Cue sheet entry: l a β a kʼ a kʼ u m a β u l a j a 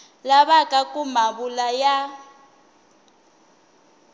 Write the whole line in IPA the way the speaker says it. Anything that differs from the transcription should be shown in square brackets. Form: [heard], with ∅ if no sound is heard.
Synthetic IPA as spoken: l a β a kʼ a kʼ u m a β u l a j a